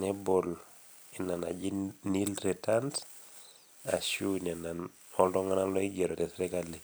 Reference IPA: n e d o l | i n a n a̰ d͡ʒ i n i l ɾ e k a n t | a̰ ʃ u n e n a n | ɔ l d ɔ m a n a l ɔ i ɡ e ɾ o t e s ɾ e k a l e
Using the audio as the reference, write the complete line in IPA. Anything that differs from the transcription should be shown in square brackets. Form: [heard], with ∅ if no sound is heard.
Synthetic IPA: n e [b] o l | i n a n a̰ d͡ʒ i n i l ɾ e [t] a n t | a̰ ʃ u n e n a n | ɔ l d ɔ [ŋ] a n a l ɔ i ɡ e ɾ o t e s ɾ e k a l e